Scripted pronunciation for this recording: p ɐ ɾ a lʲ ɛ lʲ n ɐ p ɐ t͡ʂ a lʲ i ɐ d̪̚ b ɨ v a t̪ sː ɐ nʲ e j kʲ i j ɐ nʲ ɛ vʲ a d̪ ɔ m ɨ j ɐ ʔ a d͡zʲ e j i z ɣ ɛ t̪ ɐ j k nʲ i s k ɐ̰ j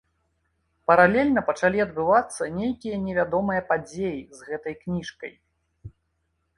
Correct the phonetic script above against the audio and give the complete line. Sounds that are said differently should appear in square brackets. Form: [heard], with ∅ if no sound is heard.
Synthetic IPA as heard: p ɐ ɾ a lʲ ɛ lʲ n ɐ p ɐ t͡ʂ a lʲ i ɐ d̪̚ b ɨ v a t̪ sː ɐ nʲ e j kʲ i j ɐ nʲ ɛ vʲ a d̪ ɔ m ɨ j ɐ [p] a d͡zʲ e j i z ɣ ɛ t̪ ɐ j k nʲ i [ʂ] k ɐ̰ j